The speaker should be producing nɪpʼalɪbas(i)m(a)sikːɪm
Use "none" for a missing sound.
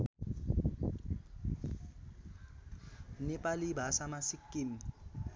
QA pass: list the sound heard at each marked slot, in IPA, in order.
a, a

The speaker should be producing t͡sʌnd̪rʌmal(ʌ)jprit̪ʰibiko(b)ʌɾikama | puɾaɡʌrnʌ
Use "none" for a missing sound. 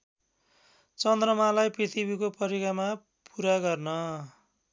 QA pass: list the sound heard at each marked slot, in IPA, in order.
a, p

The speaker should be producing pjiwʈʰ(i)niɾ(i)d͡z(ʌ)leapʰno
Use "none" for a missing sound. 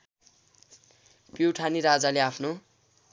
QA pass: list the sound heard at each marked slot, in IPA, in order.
a, a, a

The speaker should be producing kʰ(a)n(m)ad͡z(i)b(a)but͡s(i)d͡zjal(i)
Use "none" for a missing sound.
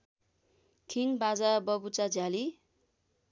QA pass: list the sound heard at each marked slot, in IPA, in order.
i, b, a, ʌ, a, i

